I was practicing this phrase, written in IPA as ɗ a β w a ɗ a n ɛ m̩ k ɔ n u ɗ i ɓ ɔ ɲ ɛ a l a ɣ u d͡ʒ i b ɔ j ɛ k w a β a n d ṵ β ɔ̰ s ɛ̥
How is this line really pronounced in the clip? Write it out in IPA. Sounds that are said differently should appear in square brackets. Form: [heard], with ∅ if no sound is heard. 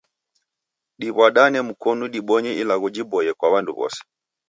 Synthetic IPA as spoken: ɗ [i] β w a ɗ a n ɛ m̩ k ɔ n u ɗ i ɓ ɔ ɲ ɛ [i] l a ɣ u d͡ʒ i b ɔ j ɛ k w a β a n d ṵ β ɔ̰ s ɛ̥